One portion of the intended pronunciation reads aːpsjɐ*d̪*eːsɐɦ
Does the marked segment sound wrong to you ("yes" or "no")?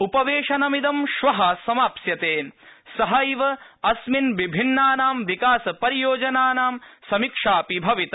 yes